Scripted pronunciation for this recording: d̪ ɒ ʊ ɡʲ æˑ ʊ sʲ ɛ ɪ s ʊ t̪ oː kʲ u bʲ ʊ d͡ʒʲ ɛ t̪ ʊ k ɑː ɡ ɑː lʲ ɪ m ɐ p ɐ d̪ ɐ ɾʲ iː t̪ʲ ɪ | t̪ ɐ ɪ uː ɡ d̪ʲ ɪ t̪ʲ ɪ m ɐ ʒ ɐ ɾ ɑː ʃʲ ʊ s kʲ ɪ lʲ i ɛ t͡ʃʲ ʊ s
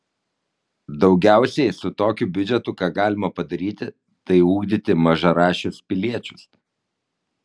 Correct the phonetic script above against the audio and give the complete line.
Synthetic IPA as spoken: d̪ ɒ ʊ ɡʲ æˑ ʊ sʲ ɛ ɪ s ʊ t̪ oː kʲ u bʲ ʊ d͡ʒʲ ɛ t̪ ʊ k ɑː ɡ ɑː lʲ ɪ m ɐ p ɐ d̪ ɐ ɾʲ iː t̪ʲ ɪ | t̪ ɐ ɪ uː ɡ d̪ʲ ɪ t̪ʲ ɪ m ɐ ʒ ɐ ɾ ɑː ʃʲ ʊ s pʲ ɪ lʲ i ɛ t͡ʃʲ ʊ s